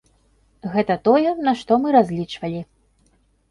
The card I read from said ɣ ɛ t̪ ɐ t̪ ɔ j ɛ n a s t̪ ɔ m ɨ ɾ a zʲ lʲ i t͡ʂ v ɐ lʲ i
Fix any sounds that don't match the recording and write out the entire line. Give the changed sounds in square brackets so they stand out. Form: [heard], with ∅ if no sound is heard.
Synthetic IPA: ɣ ɛ t̪ ɐ t̪ ɔ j ɛ n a [ʂ] t̪ ɔ m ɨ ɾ a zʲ lʲ i t͡ʂ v ɐ lʲ i